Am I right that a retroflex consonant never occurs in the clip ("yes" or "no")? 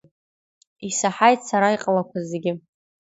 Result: yes